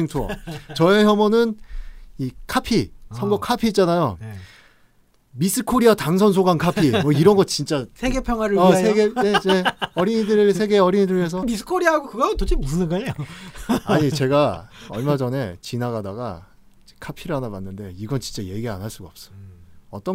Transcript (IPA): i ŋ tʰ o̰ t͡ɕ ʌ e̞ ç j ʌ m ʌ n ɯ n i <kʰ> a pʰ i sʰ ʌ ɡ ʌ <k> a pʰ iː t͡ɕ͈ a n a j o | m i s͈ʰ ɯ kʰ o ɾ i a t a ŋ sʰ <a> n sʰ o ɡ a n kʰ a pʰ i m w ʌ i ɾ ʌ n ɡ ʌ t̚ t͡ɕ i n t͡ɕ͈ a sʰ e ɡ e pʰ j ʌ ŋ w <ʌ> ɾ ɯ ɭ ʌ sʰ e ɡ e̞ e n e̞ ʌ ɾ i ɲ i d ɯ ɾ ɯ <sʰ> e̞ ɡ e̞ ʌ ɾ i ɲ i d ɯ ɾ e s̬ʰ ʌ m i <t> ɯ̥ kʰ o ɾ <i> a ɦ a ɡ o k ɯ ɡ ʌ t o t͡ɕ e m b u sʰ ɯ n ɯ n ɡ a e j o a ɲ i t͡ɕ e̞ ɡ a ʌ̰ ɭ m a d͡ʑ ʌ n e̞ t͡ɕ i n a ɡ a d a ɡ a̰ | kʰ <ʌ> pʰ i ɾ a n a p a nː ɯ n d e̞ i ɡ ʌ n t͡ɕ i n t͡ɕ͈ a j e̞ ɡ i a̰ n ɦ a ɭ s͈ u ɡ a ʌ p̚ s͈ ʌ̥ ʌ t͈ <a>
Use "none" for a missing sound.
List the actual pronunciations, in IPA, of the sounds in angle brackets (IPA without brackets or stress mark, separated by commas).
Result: kʰ, kʰ, ʌ, a, sʰ, s, i, a, ʌ